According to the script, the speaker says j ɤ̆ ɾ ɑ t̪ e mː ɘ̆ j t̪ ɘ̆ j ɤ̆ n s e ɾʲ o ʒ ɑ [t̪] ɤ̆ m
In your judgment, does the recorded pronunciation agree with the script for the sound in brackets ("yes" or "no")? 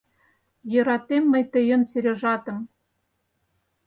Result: yes